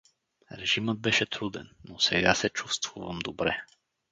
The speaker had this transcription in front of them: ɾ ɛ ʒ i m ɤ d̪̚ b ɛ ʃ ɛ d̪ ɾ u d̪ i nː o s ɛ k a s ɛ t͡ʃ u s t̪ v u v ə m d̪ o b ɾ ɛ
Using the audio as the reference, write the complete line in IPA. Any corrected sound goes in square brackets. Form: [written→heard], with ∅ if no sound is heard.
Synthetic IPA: ɾ ɛ ʒ i m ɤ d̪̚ b ɛ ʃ ɛ [d̪→t̪] ɾ u d̪ [i→ɛ] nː o s ɛ [k→ɡ] a s ɛ t͡ʃ u s t̪ v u v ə m d̪ o b ɾ ɛ